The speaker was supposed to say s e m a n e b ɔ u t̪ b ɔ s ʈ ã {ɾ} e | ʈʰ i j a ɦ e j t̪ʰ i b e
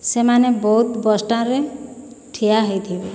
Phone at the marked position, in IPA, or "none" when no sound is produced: ɾ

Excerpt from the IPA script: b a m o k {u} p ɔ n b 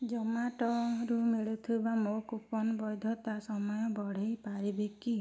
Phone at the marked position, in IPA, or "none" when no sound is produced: u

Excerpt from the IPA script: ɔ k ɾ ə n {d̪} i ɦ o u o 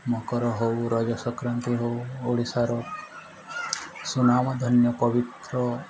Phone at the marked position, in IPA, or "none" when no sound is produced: t̪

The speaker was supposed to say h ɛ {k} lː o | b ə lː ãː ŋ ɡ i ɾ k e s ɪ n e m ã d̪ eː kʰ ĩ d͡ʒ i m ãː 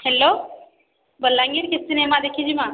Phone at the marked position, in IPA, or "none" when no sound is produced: none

